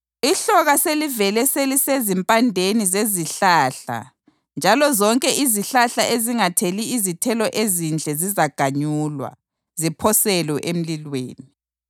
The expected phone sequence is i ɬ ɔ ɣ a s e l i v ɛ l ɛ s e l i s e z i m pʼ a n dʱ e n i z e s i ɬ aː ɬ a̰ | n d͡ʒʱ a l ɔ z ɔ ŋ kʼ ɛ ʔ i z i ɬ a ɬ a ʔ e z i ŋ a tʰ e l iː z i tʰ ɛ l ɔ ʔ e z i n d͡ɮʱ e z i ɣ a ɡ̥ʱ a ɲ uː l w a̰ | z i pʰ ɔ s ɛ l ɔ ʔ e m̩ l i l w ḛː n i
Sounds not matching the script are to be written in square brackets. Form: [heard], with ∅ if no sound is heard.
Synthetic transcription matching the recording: i ɬ ɔ ɣ a s e l i v ɛ l ɛ s e l i s e z i m pʼ a n dʱ e n i z e [z] i ɬ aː ɬ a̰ | n d͡ʒʱ a l ɔ z ɔ ŋ kʼ ɛ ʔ i z i ɬ a ɬ a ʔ e z i ŋ a tʰ e l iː z i tʰ ɛ l ɔ ʔ e z i n d͡ɮʱ [ɛ] z i [z] a ɡ̥ʱ a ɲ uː l w a̰ | z i pʰ ɔ s ɛ l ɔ ʔ e m̩ l i l w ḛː n i